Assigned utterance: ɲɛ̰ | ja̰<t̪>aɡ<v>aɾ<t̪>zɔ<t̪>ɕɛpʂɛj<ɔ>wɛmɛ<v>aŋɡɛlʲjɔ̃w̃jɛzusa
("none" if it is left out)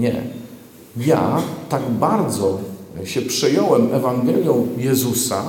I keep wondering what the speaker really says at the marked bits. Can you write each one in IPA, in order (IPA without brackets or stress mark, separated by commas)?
t̪, b, d̪, none, ɔ, v